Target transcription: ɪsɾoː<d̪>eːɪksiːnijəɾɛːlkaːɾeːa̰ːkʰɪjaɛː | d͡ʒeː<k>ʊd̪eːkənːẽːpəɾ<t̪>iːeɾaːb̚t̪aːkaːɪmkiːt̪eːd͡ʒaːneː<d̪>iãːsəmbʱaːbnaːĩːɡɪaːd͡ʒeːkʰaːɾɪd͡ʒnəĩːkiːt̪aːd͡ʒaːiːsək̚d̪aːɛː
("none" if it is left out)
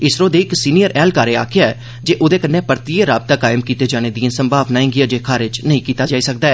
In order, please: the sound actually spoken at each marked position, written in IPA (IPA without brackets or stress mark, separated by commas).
d̪, ʔ, t̪, d̪